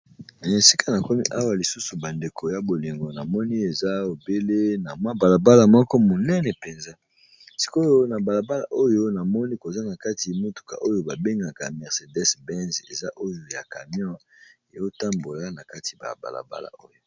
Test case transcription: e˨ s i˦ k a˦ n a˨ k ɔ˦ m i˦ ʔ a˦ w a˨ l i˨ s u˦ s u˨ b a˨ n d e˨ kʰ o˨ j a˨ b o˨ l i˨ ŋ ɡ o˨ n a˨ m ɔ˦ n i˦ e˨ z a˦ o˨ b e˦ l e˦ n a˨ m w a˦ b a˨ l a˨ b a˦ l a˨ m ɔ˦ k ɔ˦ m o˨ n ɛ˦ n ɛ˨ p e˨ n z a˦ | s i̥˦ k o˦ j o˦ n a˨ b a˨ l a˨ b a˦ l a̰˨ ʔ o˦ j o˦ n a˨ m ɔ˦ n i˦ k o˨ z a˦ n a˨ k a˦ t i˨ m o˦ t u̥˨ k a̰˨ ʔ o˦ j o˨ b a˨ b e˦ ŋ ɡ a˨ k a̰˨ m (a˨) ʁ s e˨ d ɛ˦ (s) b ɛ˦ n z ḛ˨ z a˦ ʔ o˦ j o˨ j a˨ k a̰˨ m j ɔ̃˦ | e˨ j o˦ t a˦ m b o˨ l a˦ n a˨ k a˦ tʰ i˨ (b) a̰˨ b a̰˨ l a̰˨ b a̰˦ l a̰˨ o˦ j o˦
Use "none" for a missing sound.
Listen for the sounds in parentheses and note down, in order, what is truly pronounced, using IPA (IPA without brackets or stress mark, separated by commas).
ɛ˨, s, b